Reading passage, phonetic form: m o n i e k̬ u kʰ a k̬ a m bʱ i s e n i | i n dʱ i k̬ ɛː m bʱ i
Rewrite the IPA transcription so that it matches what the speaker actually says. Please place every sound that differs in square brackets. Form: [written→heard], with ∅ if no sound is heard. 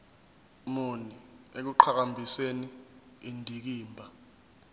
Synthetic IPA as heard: m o n i e k̬ u [kʰ→ǃʰ] a k̬ a m bʱ i s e n i | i n dʱ i k̬ [ɛː→iː] m bʱ [i→a]